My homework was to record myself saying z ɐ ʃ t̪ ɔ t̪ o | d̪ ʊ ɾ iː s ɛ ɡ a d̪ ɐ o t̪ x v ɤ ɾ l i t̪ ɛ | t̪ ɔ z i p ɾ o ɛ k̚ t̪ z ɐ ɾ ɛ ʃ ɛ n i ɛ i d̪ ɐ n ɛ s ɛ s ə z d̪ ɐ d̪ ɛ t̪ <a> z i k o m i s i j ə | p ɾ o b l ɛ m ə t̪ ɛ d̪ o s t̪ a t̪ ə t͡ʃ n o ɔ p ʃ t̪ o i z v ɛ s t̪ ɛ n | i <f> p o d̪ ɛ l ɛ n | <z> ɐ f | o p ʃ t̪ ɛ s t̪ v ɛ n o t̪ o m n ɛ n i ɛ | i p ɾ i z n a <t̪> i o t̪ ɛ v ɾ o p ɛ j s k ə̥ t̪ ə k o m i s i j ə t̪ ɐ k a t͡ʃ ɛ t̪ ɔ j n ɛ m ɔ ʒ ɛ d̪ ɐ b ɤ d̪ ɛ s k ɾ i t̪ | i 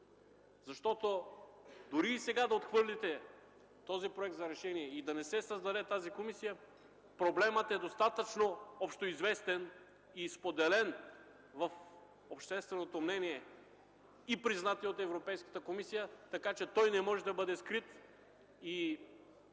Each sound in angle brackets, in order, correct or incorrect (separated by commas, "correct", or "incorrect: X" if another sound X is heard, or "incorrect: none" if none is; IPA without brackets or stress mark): correct, incorrect: s, incorrect: v, correct